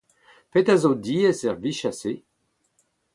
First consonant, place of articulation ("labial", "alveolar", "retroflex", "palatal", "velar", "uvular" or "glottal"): labial